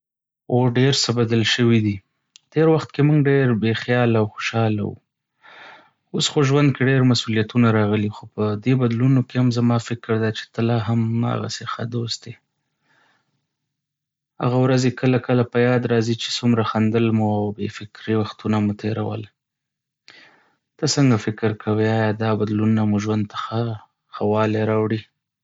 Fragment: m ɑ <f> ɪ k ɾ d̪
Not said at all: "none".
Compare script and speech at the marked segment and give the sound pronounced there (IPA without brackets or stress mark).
f